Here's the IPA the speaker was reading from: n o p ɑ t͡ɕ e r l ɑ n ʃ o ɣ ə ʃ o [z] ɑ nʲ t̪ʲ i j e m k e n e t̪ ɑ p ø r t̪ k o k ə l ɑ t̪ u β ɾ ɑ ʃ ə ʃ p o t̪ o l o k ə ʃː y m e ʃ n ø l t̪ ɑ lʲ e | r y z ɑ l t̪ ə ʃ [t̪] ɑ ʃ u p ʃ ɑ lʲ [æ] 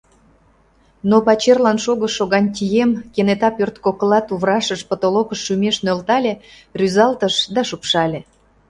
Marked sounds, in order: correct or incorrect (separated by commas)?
incorrect, incorrect, incorrect